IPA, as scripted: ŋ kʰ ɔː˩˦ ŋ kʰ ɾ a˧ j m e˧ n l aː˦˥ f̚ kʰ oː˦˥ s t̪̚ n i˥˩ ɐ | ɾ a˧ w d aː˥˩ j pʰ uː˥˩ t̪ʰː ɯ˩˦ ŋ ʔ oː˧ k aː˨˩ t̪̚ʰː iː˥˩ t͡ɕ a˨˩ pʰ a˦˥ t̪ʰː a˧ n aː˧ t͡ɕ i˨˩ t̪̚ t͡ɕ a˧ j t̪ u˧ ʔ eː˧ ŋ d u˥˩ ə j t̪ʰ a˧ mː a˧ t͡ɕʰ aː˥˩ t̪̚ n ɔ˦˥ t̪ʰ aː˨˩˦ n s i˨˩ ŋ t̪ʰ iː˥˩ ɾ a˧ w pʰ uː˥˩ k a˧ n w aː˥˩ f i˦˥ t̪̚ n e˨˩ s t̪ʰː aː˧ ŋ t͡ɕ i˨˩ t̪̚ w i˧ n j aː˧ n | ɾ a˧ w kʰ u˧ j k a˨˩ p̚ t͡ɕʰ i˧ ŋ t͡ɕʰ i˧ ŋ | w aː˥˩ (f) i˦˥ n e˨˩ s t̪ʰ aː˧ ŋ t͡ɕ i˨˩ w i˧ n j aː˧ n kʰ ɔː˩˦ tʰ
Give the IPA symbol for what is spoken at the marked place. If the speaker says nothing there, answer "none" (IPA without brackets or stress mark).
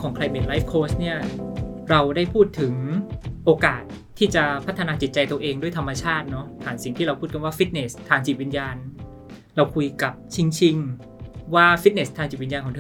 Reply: f